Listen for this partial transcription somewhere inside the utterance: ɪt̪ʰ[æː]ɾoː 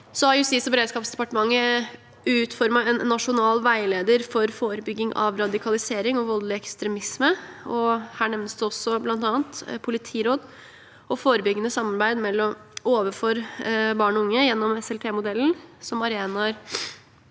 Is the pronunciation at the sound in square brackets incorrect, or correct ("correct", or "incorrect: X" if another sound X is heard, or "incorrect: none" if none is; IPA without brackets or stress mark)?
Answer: incorrect: iː